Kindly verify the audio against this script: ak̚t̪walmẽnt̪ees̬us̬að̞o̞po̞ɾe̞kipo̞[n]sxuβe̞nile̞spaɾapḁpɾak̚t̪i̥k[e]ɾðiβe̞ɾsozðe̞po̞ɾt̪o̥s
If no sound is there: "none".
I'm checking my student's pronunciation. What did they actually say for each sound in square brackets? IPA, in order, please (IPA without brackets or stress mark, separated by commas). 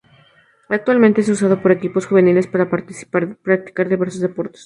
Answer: none, a